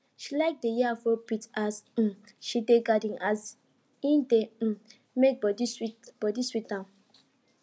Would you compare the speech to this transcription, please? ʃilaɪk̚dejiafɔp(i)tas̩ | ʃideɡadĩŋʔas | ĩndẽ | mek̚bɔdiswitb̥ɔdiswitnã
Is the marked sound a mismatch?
no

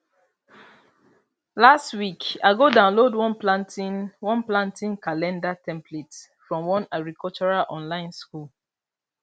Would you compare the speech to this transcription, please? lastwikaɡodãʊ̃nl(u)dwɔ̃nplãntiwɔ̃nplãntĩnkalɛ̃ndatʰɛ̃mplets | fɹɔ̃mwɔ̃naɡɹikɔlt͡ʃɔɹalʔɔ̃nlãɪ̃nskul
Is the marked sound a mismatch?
yes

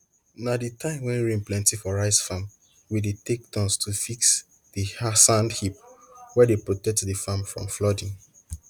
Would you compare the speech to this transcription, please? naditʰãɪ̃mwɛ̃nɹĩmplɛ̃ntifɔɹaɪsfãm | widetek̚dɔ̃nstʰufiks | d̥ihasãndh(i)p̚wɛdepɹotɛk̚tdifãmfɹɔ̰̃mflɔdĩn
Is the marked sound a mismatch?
no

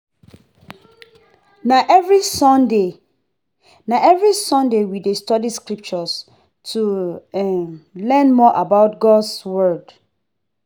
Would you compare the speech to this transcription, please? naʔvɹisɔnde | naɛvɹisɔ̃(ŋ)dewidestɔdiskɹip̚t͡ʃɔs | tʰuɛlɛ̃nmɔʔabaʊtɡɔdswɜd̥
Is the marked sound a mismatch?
yes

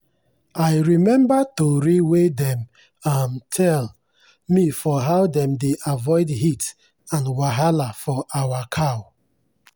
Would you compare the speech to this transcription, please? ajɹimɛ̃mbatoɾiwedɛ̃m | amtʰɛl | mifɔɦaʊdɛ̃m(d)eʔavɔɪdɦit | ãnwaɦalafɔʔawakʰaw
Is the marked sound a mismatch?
no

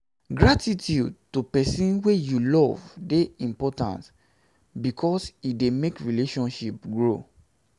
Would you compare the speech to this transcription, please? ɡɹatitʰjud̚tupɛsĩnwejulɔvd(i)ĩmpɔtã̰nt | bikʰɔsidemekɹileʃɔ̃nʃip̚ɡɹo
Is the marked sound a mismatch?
yes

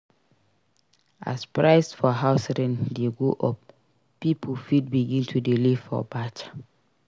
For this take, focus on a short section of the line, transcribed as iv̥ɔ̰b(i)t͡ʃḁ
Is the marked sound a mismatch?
yes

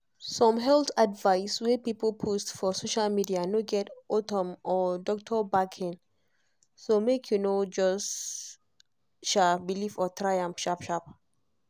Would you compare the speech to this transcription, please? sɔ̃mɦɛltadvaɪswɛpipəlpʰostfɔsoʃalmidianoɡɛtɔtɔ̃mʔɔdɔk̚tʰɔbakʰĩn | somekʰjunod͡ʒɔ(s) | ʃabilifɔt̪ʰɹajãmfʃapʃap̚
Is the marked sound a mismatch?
no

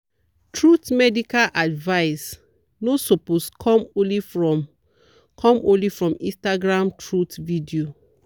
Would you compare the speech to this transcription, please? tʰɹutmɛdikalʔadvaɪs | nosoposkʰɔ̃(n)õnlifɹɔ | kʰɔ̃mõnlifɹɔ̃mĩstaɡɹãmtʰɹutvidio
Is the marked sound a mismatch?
yes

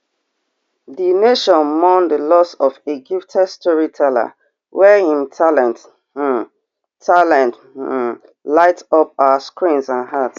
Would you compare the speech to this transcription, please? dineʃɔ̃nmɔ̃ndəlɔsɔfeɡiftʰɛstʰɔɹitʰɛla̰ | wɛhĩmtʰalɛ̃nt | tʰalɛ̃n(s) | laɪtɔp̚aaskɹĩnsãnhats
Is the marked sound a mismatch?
yes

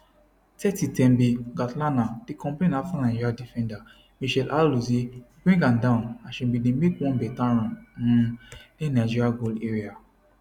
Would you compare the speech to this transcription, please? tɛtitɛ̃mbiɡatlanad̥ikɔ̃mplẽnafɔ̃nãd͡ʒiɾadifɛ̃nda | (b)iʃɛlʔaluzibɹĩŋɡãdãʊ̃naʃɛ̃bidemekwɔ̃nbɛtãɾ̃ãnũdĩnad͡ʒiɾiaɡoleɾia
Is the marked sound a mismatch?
yes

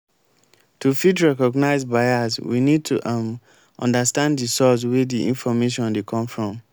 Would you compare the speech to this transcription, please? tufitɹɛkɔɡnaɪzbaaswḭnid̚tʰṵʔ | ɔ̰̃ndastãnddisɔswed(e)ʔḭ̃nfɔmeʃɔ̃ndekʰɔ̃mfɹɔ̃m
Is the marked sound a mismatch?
yes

